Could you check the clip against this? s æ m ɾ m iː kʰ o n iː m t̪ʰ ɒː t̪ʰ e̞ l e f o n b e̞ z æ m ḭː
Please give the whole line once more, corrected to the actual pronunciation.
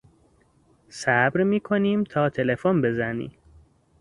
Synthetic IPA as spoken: s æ b ɾ m iː kʰ o n iː m t̪ʰ ɒː t̪ʰ e̞ l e f o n b e̞ z æ n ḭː